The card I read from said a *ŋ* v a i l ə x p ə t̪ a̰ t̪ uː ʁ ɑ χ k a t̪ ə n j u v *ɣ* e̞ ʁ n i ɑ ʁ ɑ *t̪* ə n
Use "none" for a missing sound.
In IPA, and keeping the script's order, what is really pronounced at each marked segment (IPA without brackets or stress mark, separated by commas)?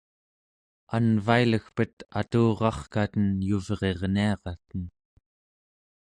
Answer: n, ʁ, t̪